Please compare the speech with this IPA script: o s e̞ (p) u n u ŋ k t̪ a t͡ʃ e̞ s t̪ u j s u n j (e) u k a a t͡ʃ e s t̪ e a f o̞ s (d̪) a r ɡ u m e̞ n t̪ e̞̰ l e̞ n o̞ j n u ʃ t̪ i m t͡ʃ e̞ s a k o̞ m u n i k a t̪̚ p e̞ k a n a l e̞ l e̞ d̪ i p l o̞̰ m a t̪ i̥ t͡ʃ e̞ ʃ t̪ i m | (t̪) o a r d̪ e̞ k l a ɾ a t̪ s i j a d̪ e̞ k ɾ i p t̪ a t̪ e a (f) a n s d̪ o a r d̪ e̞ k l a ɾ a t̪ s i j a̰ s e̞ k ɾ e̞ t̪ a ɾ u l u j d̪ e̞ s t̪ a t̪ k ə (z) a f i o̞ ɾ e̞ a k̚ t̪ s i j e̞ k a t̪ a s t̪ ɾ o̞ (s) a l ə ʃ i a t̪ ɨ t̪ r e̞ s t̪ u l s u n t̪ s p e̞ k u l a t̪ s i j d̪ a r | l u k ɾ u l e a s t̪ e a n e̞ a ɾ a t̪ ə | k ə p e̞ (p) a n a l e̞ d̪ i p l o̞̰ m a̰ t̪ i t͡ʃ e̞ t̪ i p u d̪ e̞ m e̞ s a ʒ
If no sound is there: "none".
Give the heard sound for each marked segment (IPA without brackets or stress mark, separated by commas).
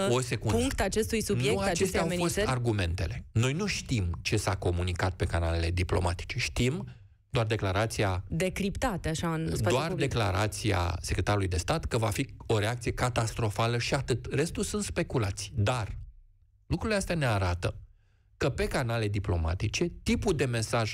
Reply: k, e, t̪, d̪, ʃ, v, f, k